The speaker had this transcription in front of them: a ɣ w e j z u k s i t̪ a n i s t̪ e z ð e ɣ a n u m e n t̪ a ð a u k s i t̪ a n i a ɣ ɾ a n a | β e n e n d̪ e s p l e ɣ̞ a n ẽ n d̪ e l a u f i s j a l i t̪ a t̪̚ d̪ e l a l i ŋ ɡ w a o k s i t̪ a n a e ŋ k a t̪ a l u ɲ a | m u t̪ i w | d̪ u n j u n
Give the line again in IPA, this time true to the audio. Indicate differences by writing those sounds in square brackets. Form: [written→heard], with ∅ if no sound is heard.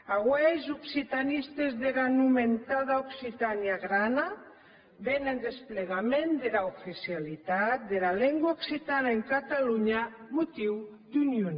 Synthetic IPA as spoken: a ɣ w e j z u k s i t̪ a n i s t̪ e z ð e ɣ a n u m e n t̪ a ð a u k s i t̪ a n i a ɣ ɾ a n a | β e n e n d̪ e s p l e ɣ̞ a [n→m] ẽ n d̪ e l a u f i s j a l i t̪ a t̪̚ d̪ e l a l [i→e] ŋ ɡ w a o k s i t̪ a n a e ŋ k a t̪ a l u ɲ a | m u t̪ i w | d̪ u n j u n